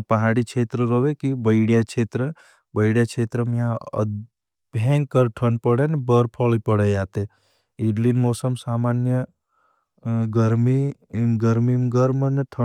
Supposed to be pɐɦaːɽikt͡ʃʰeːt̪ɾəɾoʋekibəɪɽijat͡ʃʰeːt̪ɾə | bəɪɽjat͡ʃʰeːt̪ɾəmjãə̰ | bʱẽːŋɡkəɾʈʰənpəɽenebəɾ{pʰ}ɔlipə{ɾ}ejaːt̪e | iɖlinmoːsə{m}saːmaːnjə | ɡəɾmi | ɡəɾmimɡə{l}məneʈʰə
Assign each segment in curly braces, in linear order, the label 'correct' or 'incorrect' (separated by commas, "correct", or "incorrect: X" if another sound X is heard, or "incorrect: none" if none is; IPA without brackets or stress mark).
correct, incorrect: ɽ, correct, incorrect: ɾ